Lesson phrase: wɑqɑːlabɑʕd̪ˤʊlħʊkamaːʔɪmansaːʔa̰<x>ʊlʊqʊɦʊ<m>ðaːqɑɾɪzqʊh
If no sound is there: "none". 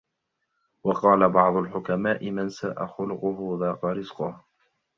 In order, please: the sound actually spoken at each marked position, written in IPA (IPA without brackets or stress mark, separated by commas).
x, none